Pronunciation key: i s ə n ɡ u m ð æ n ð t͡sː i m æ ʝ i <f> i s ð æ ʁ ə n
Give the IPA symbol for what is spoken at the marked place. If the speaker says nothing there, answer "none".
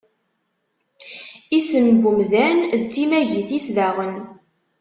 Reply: θ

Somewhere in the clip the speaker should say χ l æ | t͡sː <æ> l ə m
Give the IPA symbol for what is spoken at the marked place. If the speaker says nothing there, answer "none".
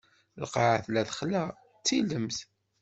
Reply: i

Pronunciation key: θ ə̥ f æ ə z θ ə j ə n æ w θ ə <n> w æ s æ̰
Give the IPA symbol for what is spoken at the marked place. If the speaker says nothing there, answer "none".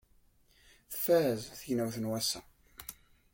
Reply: n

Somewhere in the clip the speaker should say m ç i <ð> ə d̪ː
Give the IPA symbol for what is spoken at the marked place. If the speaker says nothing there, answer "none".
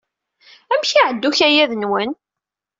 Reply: ʕ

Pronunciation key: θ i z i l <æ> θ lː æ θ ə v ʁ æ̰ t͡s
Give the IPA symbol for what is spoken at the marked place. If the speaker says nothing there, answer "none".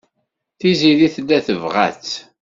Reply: i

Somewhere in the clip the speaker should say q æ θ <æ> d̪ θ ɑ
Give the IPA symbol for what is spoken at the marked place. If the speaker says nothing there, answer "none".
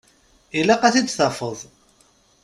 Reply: i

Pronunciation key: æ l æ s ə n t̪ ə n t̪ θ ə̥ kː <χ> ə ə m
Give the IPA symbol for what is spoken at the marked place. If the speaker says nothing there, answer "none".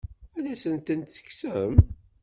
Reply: s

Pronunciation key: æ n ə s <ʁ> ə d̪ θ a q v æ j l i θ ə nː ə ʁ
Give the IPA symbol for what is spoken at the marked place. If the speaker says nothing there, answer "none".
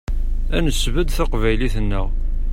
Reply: v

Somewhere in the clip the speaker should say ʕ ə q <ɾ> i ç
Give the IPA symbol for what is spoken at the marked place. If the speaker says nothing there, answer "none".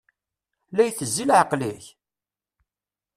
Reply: l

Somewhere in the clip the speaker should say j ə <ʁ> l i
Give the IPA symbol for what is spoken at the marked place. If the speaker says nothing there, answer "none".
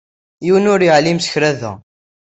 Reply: ʕ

